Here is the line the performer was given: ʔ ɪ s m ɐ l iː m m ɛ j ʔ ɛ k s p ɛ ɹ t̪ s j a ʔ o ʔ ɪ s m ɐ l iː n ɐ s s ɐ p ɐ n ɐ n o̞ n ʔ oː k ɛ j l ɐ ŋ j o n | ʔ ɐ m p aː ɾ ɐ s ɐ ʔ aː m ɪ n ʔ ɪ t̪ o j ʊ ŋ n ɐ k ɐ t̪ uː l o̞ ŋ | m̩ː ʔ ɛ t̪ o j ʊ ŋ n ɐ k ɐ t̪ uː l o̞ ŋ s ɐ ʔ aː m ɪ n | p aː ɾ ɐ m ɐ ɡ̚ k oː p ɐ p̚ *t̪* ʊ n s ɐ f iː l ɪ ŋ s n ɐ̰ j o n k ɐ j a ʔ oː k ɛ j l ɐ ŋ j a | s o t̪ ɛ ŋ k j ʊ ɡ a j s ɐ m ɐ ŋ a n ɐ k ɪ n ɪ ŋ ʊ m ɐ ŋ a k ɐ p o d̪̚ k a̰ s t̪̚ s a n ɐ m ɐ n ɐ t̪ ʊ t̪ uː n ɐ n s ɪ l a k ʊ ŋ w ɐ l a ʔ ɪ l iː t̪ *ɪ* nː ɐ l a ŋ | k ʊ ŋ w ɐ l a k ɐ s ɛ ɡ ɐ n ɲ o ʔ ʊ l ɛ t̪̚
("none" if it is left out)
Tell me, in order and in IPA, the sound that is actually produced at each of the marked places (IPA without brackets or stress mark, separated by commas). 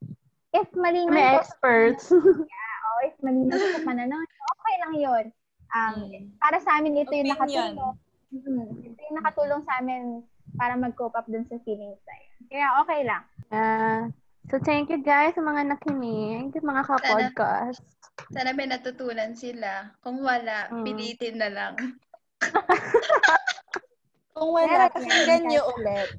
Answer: d̪, ɪ